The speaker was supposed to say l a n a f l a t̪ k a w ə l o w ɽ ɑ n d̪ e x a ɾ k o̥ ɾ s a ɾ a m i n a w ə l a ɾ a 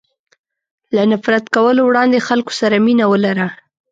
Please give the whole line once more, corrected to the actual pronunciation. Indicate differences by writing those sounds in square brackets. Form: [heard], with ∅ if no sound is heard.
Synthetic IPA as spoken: l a n a f [ɾ] a t̪ k a w ə l o w ɽ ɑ n d̪ e x a [l] k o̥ [∅] s a ɾ a m i n a w ə l a ɾ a